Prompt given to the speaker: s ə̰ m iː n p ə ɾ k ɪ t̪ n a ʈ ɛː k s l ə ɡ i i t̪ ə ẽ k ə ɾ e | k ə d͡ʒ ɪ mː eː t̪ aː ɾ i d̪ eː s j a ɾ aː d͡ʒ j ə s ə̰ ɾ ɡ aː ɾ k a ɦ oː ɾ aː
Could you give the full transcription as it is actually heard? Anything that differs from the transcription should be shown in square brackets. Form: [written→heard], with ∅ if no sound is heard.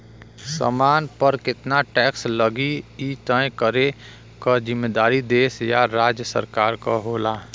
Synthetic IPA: s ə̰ m [iː→aː] n p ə ɾ k ɪ t̪ n a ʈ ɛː k s l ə ɡ i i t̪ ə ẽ k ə ɾ e | k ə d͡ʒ ɪ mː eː [t̪→d̪] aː ɾ i d̪ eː s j a ɾ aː d͡ʒ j ə s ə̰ ɾ [ɡ→k] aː ɾ k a ɦ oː [ɾ→l] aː